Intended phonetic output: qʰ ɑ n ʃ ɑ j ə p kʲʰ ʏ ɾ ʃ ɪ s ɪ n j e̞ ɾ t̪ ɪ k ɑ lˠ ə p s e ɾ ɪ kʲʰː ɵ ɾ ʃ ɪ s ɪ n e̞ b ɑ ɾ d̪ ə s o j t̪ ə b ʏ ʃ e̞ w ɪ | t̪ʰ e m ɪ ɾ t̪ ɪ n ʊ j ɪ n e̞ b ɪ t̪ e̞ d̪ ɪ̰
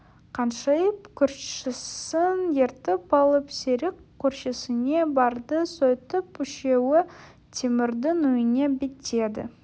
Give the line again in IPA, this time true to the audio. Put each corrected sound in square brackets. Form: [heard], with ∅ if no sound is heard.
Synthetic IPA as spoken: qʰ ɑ n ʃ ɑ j ə p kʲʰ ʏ ɾ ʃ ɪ s ɪ n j e̞ ɾ t̪ ɪ [p] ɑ lˠ ə p s e ɾ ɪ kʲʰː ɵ ɾ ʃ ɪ s ɪ n e̞ b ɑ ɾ d̪ ə s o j t̪ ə [p] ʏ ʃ e̞ w ɪ | t̪ʰ e m ɪ ɾ [d̪] ɪ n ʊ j ɪ n e̞ b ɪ t̪ e̞ d̪ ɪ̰